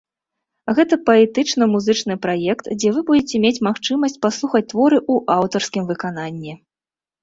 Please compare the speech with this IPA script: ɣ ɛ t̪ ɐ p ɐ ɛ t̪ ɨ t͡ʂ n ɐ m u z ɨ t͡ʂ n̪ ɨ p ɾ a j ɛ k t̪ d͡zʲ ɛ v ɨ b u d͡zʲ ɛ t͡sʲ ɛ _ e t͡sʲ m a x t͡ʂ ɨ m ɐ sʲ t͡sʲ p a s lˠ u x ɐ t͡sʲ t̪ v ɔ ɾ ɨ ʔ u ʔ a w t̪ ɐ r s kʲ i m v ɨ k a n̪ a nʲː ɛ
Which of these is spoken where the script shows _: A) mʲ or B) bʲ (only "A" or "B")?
A